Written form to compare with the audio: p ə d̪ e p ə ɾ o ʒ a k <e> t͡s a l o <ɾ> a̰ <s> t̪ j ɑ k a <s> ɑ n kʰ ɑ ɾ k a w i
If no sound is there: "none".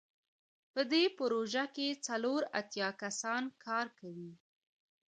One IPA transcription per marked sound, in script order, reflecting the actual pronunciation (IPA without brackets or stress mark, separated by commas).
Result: e, ɾ, none, s